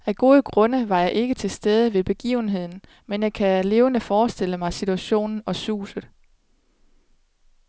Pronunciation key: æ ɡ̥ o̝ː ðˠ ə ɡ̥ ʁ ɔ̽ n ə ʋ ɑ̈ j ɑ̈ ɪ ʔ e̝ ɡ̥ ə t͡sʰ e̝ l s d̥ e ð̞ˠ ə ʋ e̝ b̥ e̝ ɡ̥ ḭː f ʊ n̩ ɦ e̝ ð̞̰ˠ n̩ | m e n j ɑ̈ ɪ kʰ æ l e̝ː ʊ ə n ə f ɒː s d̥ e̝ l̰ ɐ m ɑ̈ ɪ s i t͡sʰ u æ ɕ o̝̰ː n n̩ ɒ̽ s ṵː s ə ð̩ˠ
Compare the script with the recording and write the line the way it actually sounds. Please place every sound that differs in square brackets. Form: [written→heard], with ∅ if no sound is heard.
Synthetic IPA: æ ɡ̥ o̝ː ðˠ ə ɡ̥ ʁ ɔ̽ n ə ʋ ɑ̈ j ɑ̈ ɪ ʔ e̝ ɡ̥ ə t͡sʰ e̝ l s d̥ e ð̞ˠ ə ʋ e̝ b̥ e̝ ɡ̥ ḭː [f→∅] ʊ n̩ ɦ e̝ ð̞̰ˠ n̩ | m e n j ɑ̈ ɪ kʰ æ l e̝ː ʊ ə n ə f ɒː s d̥ e̝ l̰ [ɐ→ə] m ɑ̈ ɪ s i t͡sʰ u æ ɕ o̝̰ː n n̩ ɒ̽ s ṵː s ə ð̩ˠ

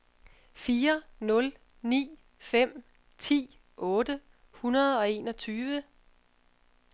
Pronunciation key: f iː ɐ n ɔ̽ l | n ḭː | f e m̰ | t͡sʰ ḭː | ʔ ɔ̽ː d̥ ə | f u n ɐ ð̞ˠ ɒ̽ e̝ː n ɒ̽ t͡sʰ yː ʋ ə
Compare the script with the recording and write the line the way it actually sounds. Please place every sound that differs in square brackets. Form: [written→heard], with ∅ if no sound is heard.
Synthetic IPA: f iː ɐ n ɔ̽ l | n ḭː | f e m̰ | t͡sʰ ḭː | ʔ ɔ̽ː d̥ ə | [f→h] u n ɐ ð̞ˠ ɒ̽ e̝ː n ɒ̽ t͡sʰ yː ʋ ə

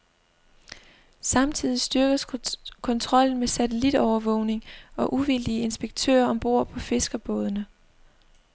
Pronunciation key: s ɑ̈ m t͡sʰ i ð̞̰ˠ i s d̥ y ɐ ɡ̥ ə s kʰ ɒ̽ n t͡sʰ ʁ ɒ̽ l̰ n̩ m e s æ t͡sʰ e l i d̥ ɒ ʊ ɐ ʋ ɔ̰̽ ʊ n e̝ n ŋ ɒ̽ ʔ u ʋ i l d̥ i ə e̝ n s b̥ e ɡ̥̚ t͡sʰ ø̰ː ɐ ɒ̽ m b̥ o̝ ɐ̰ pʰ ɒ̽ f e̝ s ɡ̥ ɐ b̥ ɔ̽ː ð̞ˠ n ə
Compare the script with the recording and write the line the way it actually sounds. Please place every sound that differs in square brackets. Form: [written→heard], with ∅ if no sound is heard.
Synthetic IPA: s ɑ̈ m t͡sʰ i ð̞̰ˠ i s d̥ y ɐ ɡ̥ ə s kʰ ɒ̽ n t͡sʰ ʁ ɒ̽ l̰ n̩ m e s æ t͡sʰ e l i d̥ ɒ ʊ ɐ ʋ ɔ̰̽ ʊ n e̝ [n→∅] ŋ ɒ̽ ʔ u ʋ i l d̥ i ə e̝ n s b̥ e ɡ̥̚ t͡sʰ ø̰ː ɐ ɒ̽ m b̥ o̝ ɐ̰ pʰ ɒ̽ f e̝ s ɡ̥ ɐ b̥ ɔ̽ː ð̞ˠ n ə

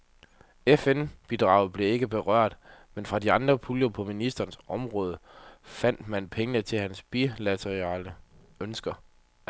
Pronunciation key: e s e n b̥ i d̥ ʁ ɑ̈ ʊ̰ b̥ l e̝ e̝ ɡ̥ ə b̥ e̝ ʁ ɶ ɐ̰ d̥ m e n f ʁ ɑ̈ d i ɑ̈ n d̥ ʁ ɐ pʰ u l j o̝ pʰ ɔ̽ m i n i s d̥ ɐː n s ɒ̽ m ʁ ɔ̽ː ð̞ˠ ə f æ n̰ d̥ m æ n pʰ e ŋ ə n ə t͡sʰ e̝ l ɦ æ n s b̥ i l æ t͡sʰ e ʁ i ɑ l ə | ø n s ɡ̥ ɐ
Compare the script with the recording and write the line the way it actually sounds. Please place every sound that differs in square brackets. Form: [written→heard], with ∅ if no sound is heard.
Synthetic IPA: e [s→f] e n b̥ i d̥ ʁ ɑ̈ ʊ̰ b̥ l e̝ e̝ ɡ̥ ə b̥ e̝ ʁ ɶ ɐ̰ d̥ m e n f ʁ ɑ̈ d i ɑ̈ n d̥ ʁ ɐ pʰ u l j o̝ pʰ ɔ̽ m i n i s d̥ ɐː n s ɒ̽ m ʁ ɔ̽ː ð̞ˠ ə f æ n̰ d̥ m æ n pʰ e ŋ ə n ə t͡sʰ e̝ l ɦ æ n s b̥ i l æ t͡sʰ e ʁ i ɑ l ə | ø n s ɡ̥ ɐ

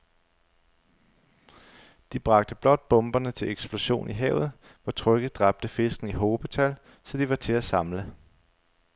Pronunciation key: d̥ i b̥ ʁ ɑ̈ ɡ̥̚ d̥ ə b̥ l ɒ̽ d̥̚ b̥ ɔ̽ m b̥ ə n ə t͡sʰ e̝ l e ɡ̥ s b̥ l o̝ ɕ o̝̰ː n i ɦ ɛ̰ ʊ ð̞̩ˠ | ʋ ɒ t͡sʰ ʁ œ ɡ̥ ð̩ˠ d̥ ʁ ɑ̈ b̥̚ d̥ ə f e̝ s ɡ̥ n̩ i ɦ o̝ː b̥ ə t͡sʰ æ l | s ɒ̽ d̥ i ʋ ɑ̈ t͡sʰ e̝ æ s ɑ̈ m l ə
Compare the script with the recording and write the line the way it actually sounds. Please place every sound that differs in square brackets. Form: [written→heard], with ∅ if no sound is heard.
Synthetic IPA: d̥ i b̥ ʁ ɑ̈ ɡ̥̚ d̥ ə b̥ l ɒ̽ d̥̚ b̥ ɔ̽ m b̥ [ə→ɐ] n ə t͡sʰ e̝ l e ɡ̥ s b̥ l o̝ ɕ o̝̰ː n i ɦ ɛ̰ ʊ ð̞̩ˠ | ʋ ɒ t͡sʰ ʁ œ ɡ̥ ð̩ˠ d̥ ʁ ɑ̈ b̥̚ d̥ ə f e̝ s ɡ̥ n̩ i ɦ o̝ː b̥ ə t͡sʰ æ l | s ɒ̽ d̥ i ʋ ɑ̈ t͡sʰ e̝ æ s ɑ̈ m l ə

